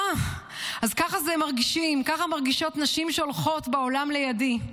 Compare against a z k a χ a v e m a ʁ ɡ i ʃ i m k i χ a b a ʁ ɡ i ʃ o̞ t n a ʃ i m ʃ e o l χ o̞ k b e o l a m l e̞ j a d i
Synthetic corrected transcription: a z k a χ a z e m a ʁ ɡ i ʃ i m k a χ a m a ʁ ɡ i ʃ o̞ t n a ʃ i m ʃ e o l χ o̞ t b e o l a m l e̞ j a d i